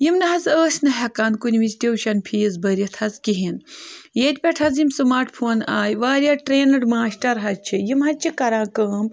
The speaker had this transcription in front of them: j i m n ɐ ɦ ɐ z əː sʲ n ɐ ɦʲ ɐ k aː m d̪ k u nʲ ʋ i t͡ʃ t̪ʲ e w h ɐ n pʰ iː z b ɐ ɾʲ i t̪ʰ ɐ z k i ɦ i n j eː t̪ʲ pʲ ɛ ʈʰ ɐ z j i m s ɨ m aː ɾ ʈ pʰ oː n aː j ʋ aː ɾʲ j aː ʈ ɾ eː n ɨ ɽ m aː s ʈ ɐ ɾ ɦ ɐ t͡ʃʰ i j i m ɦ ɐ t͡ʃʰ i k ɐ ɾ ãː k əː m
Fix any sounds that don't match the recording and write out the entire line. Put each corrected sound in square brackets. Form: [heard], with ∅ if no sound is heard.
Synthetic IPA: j i m n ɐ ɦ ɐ z əː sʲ n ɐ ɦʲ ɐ k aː [n] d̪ k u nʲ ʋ i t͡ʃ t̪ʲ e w [ʃ] ɐ n pʰ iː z b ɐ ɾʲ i t̪ʰ ɐ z k i ɦ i n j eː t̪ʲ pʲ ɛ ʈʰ ɐ z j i m s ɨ m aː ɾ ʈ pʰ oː n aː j ʋ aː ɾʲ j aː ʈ ɾ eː n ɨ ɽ m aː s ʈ ɐ ɾ ɦ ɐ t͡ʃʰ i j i m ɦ ɐ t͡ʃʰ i k ɐ ɾ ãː k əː m